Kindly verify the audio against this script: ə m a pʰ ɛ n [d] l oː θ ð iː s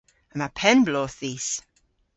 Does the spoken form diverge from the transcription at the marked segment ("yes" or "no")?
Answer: yes